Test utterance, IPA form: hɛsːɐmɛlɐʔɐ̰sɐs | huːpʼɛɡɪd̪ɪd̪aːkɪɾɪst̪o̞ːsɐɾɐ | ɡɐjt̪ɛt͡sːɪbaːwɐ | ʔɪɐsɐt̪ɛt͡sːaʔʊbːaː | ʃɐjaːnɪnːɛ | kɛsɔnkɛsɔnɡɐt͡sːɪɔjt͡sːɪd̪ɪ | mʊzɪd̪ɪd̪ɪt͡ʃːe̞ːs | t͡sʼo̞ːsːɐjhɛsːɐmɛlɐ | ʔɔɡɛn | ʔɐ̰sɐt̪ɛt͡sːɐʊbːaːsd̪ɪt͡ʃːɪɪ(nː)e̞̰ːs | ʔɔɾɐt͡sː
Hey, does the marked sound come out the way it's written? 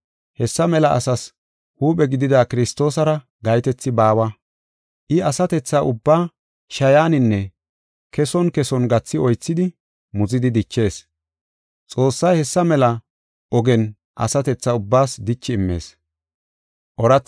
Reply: no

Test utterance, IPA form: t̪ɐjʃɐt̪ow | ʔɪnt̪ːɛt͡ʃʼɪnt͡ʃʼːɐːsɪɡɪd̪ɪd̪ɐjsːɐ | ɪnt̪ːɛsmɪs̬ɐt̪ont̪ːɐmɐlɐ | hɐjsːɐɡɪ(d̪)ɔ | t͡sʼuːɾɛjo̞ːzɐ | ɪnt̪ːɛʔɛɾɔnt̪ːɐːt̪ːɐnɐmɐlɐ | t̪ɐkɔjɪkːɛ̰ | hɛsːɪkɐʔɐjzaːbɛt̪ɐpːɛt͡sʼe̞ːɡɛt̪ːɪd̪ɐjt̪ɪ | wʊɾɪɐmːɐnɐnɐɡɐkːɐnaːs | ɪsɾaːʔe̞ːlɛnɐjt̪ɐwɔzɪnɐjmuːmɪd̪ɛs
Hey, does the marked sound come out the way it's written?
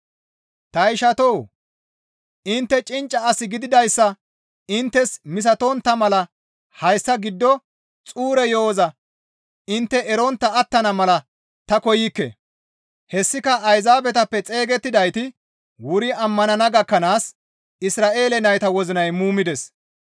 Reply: no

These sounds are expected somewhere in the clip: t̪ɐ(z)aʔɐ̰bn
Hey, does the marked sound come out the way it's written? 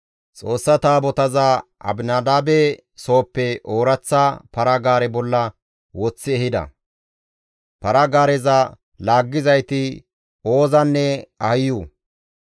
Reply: yes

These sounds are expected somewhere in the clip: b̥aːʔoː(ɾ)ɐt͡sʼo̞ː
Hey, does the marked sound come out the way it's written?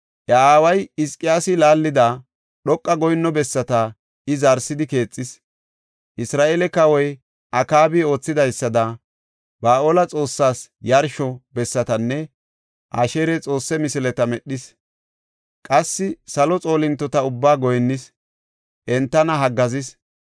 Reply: no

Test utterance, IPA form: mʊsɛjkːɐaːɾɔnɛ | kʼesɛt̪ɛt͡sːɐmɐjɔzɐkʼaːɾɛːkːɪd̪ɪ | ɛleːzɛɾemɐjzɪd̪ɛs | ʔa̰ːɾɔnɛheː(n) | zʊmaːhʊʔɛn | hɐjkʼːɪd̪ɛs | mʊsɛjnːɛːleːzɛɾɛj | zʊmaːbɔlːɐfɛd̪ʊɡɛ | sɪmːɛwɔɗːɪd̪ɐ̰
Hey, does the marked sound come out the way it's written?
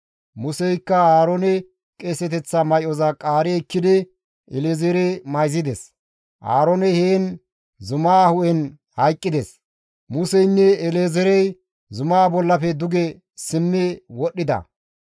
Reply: yes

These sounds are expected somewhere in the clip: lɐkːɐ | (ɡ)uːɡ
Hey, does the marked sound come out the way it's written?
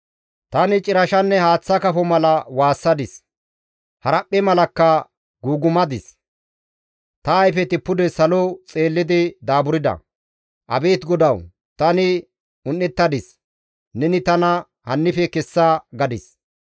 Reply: yes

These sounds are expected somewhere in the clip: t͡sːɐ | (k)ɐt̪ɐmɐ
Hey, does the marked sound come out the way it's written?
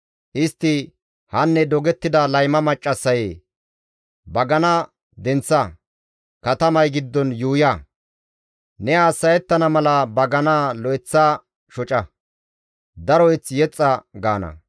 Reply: yes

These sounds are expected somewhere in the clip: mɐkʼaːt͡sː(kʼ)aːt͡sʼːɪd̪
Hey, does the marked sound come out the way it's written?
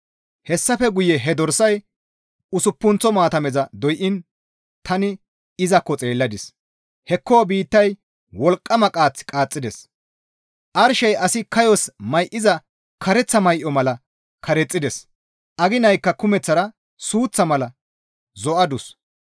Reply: yes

